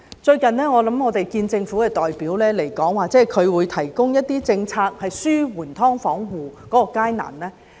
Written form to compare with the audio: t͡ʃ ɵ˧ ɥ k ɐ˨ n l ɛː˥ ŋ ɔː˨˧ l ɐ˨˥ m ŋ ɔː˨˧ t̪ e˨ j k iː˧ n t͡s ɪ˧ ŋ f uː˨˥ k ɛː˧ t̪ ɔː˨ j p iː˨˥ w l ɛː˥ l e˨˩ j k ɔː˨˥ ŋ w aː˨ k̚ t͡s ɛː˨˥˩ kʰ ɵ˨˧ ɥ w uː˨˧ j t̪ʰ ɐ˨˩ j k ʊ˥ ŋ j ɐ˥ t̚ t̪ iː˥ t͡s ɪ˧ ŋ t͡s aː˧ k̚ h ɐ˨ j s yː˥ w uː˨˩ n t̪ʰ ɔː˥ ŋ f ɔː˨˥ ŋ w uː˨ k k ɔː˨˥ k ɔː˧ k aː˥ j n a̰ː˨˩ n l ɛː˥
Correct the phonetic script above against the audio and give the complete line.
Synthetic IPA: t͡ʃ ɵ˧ ɥ k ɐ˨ n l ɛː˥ ŋ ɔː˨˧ l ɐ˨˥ m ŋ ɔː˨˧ t̪ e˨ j k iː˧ n t͡s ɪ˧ ŋ f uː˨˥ k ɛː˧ t̪ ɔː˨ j p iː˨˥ w l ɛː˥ l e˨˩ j k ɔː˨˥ ŋ w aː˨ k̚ t͡s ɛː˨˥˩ kʰ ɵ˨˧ ɥ w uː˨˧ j t̪ʰ ɐ˨˩ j k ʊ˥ ŋ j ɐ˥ t̚ t̪ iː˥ t͡s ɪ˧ ŋ t͡sʰ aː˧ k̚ h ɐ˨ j s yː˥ w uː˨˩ n t̪ʰ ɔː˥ ŋ f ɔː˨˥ ŋ w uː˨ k k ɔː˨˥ k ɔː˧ k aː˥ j n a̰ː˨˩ n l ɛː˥

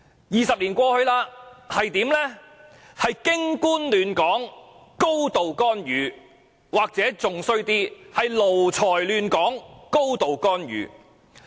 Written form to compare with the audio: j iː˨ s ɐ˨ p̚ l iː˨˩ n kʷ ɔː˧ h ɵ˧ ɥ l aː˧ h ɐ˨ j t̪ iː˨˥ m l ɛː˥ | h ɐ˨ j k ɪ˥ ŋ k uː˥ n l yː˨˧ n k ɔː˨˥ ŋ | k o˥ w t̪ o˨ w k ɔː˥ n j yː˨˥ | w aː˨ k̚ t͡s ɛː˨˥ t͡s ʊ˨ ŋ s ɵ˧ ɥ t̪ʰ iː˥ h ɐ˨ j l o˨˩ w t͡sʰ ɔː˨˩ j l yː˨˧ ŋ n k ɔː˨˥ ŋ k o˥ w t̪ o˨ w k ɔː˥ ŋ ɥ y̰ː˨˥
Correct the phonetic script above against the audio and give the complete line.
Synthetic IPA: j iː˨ s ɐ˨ p̚ l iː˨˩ n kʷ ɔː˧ h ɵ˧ ɥ l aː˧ h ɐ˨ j t̪ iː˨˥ m l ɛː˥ | h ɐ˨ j k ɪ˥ ŋ k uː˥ n l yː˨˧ n k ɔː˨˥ ŋ | k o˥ w t̪ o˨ w k ɔː˥ n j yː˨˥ | w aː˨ k̚ t͡s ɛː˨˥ t͡s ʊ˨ ŋ s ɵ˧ ɥ t̪ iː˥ h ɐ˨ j l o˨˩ w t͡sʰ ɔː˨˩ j l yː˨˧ n k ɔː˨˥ ŋ k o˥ w t̪ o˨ w k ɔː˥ n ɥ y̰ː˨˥

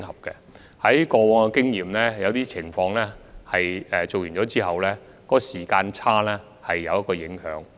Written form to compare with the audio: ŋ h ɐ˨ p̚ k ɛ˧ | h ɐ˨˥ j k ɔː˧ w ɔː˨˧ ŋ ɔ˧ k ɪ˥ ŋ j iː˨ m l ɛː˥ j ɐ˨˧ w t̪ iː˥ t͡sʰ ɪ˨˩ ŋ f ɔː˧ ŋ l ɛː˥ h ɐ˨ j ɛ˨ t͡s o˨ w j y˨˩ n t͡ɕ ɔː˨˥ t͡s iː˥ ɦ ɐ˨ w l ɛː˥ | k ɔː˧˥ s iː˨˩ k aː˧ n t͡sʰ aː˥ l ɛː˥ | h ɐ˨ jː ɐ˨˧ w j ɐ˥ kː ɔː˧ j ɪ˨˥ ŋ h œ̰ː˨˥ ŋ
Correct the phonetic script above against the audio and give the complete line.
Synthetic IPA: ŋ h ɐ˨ p̚ k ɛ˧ | h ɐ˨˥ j k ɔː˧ w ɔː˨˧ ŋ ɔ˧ k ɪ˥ ŋ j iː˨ m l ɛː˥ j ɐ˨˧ w t̪ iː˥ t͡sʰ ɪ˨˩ ŋ f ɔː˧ ŋ l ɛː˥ h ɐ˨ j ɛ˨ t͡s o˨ w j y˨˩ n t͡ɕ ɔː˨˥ t͡s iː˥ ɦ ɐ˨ w l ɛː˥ | k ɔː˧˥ s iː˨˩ k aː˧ n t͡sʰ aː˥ l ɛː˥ | h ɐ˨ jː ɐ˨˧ w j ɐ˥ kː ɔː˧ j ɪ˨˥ ŋ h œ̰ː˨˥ ŋ

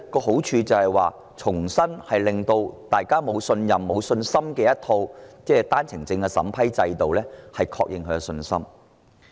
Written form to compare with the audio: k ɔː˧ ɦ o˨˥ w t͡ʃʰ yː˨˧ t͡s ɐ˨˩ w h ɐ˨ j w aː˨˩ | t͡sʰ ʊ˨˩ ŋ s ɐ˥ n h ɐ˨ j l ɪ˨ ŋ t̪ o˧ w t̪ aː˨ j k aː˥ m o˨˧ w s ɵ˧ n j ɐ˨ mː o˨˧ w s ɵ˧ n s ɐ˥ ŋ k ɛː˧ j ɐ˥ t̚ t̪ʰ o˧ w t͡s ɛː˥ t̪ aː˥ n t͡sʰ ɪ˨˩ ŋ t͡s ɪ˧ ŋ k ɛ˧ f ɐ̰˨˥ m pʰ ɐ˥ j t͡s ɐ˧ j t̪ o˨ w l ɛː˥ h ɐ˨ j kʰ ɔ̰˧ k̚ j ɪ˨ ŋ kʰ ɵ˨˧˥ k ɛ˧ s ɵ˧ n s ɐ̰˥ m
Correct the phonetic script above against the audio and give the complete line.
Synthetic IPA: k ɔː˧ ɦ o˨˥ w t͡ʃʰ yː˨˧ t͡s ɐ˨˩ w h ɐ˨ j w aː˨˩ | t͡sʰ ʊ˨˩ ŋ s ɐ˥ n h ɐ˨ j l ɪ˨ ŋ t̪ o˧ w t̪ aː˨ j k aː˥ m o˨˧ w s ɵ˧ n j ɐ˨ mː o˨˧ w s ɵ˧ n s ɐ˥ m k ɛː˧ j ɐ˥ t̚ t̪ʰ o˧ w t͡s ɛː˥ t̪ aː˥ n t͡sʰ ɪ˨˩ ŋ t͡s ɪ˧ ŋ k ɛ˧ s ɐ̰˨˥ m pʰ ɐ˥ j t͡s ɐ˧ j t̪ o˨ w l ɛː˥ h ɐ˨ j kʰ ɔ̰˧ k̚ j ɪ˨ ŋ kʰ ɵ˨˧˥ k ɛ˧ s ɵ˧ n s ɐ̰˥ m

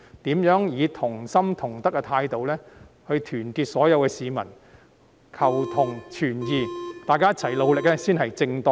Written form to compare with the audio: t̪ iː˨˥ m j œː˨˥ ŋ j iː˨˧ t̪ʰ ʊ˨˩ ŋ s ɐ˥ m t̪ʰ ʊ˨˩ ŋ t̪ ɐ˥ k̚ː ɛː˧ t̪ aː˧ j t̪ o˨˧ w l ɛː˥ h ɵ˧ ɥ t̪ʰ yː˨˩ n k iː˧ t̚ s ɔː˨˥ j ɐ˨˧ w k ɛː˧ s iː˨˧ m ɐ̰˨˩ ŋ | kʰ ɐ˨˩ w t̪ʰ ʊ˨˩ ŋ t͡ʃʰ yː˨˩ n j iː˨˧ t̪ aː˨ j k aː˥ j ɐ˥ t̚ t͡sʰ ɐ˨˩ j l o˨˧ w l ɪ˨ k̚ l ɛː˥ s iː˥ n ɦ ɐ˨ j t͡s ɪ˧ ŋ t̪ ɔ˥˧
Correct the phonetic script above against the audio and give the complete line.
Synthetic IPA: t̪ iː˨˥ m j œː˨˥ ŋ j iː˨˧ t̪ʰ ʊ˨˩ ŋ s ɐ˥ m t̪ʰ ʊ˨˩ ŋ t̪ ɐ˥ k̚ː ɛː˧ t̪ʰ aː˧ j t̪ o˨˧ w l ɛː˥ h ɵ˧ ɥ t̪ʰ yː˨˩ n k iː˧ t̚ s ɔː˨˥ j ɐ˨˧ w k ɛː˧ s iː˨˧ m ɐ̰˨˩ n | kʰ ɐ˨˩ w t̪ʰ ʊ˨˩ ŋ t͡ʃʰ yː˨˩ n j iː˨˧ t̪ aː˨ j k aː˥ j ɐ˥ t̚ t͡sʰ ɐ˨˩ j l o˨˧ w l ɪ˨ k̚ l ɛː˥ s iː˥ n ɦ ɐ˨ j t͡s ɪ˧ ŋ t̪ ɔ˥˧

